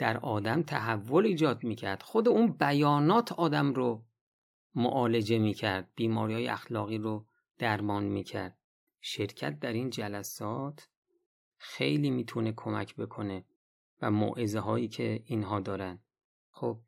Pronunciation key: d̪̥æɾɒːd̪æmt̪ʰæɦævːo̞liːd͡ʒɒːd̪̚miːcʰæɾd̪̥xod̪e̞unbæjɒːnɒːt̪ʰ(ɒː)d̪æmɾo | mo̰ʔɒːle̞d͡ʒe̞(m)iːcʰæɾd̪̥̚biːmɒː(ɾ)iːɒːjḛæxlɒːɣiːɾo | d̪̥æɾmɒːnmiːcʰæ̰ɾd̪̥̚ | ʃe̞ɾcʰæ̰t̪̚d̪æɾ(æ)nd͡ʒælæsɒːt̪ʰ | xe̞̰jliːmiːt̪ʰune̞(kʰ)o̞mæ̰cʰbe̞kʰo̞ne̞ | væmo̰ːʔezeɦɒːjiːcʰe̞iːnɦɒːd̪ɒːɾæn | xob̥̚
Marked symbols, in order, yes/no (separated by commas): yes, yes, yes, no, yes